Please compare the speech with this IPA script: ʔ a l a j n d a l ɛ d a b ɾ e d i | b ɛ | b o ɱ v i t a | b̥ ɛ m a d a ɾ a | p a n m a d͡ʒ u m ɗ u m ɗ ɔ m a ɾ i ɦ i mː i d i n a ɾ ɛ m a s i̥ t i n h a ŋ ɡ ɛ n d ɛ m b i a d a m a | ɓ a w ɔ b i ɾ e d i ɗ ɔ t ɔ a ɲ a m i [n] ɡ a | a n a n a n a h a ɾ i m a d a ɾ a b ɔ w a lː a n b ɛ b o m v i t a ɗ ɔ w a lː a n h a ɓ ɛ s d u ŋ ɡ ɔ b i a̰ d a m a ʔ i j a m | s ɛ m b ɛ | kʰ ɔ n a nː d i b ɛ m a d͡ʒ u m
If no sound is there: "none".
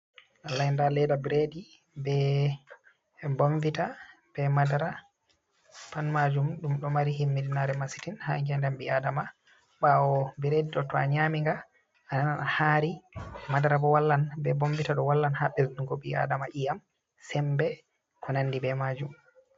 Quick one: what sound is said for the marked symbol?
ŋ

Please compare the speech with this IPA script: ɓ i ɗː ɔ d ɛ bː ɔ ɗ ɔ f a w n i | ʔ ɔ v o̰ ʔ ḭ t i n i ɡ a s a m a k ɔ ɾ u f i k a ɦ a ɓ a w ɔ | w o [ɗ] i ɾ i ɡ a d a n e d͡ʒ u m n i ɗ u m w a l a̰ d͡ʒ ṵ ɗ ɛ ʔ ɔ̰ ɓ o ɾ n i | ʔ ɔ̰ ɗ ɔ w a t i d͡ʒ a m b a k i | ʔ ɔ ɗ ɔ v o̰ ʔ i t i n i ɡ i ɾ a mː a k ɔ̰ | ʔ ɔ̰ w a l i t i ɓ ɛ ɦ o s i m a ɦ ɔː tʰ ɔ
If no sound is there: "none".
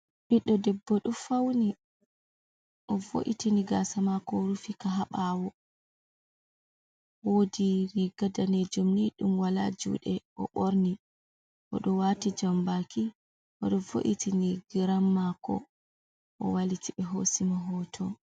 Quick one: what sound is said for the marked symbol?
d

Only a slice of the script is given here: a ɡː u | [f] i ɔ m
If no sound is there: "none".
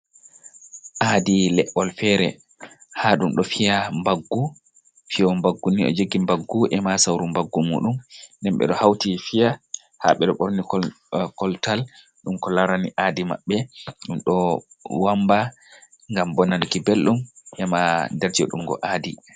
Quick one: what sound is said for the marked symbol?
f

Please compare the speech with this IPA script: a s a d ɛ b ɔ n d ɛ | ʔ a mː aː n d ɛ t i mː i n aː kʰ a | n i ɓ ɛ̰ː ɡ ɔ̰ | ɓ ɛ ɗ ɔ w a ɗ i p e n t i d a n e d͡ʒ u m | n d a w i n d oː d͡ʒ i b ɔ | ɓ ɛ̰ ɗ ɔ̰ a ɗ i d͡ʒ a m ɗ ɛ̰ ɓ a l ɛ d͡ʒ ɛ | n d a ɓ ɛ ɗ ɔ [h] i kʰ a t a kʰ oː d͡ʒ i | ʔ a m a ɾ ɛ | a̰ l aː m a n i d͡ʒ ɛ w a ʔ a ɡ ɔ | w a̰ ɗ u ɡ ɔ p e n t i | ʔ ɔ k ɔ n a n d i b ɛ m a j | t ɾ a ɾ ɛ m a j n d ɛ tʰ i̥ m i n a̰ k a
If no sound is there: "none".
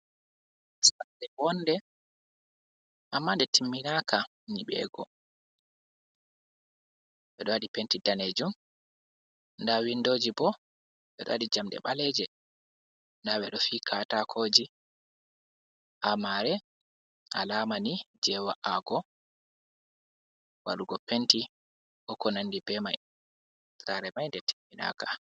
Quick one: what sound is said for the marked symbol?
f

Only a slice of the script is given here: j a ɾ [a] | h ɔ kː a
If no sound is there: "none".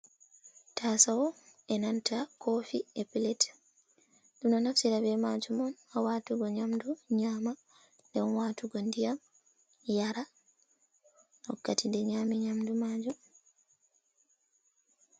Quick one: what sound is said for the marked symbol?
a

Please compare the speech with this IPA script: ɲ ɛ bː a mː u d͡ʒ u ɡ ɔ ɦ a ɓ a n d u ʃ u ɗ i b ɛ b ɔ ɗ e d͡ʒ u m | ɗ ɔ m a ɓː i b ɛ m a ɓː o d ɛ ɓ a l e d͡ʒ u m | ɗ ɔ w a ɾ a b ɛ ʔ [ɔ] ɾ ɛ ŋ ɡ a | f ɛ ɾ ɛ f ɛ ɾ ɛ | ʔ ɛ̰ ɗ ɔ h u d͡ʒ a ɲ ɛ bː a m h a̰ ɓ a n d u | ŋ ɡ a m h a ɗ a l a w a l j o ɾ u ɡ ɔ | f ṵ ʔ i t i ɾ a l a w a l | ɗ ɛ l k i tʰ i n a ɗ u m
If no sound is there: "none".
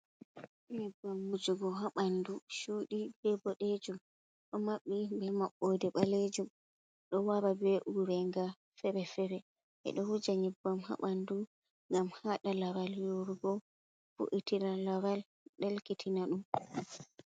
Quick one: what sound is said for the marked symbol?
u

